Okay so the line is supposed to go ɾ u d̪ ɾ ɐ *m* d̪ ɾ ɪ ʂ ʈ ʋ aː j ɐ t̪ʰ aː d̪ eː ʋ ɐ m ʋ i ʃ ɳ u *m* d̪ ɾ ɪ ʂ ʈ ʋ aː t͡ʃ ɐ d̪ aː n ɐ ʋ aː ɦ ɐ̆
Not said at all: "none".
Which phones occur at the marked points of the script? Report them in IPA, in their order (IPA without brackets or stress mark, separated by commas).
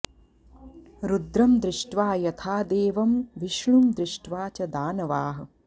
m, m